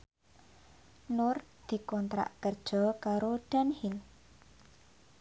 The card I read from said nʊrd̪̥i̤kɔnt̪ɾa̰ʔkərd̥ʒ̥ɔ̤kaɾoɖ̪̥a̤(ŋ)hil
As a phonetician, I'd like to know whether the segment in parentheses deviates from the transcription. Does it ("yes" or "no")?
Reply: yes